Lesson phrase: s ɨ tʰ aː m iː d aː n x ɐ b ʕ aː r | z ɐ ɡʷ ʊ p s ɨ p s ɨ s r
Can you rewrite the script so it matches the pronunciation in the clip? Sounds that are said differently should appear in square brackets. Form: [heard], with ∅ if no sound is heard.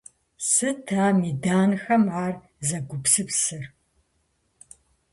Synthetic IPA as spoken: s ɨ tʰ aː m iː d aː n x ɐ [m] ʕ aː r | z ɐ ɡʷ ʊ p s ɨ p s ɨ [∅] r